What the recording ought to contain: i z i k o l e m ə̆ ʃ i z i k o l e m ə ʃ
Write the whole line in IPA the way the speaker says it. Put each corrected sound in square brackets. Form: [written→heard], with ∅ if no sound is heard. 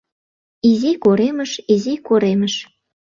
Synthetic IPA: i z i k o [l→ɾ] e m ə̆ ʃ i z i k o [l→ɾ] e m ə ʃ

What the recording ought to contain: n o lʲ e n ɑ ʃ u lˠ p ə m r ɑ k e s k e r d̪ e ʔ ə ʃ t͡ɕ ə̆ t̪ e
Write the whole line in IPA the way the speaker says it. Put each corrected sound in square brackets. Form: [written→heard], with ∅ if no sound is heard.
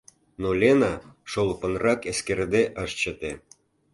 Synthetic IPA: n o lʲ e n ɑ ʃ [u→o] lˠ p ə [m→n] r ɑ k e s k e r d̪ e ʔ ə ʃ t͡ɕ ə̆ t̪ e

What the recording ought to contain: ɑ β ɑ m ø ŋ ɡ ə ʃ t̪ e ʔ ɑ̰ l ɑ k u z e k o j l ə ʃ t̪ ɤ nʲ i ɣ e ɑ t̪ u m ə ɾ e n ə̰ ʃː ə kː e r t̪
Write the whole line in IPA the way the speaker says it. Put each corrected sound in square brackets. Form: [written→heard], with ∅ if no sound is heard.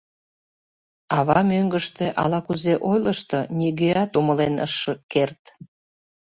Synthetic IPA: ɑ β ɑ m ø ŋ ɡ ə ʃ t̪ e ʔ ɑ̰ l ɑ k u z e [k→ʔ] o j l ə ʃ t̪ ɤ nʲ i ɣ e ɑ t̪ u m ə [ɾ→l] e n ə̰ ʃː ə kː e r t̪

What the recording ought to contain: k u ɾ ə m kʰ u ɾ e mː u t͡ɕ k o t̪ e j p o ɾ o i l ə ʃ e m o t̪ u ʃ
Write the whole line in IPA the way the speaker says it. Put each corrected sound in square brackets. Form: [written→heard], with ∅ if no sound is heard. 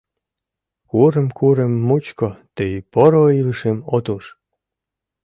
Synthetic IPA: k u ɾ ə m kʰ u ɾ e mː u t͡ɕ k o t̪ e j p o ɾ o i l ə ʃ e m o t̪ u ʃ

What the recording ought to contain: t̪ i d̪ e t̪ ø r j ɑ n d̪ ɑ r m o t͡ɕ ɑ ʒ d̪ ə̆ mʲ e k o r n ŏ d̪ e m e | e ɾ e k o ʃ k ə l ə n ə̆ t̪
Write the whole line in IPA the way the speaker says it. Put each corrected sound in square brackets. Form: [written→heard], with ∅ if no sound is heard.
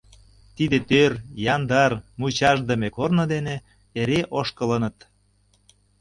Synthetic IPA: t̪ i d̪ e t̪ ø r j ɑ n d̪ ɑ r m [o→u] t͡ɕ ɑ ʒ d̪ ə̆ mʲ e k o r n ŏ d̪ e [m→n] e | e ɾ e [k→ʔ] o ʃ k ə l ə n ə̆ t̪

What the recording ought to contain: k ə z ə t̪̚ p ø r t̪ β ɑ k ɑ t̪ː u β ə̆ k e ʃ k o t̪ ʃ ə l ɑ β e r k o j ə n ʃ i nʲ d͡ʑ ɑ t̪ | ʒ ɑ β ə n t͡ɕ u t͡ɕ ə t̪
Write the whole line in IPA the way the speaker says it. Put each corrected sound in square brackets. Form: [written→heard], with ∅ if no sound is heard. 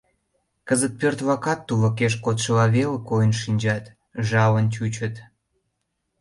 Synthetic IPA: k ə z ə t̪̚ p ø r t̪ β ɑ k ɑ t̪ː u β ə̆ k e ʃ k o t̪ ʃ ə l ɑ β e [r→l] k o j ə n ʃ i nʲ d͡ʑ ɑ t̪ | ʒ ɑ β ə n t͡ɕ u t͡ɕ ə t̪

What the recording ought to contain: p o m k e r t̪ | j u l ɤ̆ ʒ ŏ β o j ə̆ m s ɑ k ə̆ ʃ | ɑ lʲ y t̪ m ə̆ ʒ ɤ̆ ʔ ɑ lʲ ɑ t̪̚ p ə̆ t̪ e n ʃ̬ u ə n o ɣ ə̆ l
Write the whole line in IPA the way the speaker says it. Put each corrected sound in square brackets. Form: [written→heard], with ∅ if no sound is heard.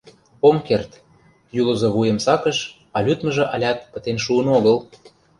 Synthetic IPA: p o m k e r t̪ | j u l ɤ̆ [ʒ→z] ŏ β [o→u] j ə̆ m s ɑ k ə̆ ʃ | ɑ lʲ y t̪ m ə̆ ʒ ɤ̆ ʔ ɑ lʲ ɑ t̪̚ p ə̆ t̪ e n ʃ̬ u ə n o ɣ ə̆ l

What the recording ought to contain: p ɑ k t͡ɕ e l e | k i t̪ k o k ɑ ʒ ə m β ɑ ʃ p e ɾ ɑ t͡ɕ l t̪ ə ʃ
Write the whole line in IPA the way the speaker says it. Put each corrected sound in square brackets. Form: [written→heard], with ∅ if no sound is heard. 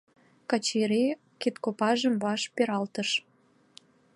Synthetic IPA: [p→k] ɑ [k→∅] t͡ɕ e [l→ɾ] e | k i t̪ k o [k→p] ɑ ʒ ə m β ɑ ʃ p e ɾ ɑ [t͡ɕ→∅] l t̪ ə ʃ

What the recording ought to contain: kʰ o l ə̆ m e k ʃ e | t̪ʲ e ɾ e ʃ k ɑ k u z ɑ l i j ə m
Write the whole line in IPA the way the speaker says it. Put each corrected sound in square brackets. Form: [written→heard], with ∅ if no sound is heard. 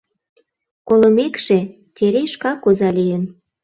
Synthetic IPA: [kʰ→k] o l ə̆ m e k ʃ e | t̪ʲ e ɾ e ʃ k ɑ k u z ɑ l i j ə [m→n]

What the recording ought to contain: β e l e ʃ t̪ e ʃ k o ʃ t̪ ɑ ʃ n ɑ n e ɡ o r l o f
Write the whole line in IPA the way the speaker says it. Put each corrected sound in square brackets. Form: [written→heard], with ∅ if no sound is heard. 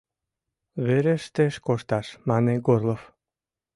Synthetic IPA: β e [l→ɾ] e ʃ t̪ e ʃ k o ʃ t̪ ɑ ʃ [n→m] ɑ n e ɡ o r l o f

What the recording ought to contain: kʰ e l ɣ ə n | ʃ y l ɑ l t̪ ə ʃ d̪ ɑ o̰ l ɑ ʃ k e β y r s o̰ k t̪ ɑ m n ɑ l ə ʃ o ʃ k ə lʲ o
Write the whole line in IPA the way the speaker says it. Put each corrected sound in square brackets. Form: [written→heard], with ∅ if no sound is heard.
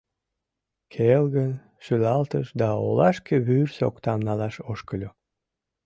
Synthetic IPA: kʰ e l ɣ ə n | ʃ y l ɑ l t̪ ə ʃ d̪ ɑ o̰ l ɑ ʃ k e β y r s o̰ k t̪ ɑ m n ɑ l [ə→ɑ] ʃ o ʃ k ə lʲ o

